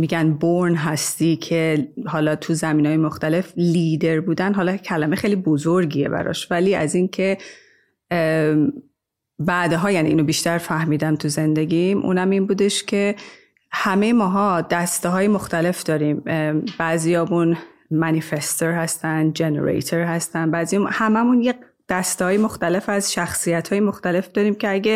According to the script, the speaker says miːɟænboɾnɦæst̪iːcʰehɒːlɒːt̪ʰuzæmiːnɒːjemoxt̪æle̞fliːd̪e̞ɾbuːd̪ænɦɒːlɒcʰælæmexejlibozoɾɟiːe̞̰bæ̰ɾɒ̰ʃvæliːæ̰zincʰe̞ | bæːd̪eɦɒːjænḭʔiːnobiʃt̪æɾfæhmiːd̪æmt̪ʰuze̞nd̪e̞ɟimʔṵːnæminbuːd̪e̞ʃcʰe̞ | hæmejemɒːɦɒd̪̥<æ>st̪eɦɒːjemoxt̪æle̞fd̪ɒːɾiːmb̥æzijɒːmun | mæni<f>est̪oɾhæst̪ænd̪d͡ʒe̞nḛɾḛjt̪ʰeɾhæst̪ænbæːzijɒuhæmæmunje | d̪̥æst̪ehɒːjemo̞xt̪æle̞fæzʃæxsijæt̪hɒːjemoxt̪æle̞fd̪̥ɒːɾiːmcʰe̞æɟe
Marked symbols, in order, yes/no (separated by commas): yes, yes